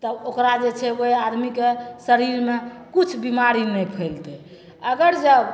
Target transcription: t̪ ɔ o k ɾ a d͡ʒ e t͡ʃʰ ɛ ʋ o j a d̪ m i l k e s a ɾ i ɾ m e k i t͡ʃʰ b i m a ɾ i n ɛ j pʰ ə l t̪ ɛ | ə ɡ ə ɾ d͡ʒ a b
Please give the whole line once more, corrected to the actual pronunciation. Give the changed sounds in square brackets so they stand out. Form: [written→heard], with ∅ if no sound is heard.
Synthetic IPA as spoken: t̪ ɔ o k ɾ a d͡ʒ e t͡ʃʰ ɛ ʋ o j a d̪ m i [l→∅] k e s [a→ə] ɾ i ɾ m e k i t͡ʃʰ b i m a ɾ i n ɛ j pʰ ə l t̪ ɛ | ə ɡ ə ɾ d͡ʒ [a→ə] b